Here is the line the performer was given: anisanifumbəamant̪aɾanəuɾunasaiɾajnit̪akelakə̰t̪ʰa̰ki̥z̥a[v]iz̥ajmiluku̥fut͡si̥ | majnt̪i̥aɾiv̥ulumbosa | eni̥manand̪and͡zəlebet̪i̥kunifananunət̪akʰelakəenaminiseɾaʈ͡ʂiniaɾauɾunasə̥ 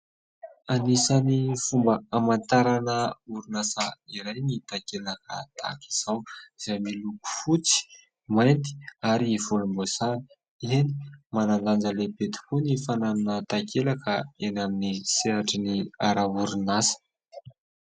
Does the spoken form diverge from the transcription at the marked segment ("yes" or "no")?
yes